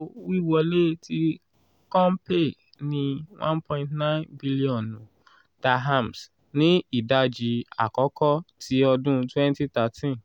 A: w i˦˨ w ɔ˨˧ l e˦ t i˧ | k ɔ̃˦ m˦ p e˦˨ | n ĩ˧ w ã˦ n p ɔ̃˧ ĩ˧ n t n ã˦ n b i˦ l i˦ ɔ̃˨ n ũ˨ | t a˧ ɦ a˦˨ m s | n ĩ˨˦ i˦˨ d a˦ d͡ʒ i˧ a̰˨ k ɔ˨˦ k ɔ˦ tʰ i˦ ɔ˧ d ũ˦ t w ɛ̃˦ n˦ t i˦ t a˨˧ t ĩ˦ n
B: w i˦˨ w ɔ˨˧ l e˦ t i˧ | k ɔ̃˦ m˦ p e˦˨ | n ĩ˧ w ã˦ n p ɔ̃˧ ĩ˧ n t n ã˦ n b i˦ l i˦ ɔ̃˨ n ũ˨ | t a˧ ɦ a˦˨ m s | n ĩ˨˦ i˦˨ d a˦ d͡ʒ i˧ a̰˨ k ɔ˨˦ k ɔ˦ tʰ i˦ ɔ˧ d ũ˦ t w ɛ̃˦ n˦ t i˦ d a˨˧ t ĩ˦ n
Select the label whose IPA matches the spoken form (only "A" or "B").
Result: A